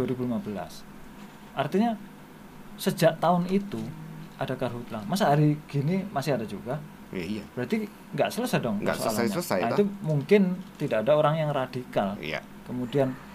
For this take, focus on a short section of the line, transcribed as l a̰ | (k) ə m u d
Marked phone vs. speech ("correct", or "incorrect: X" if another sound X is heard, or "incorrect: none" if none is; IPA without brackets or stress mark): correct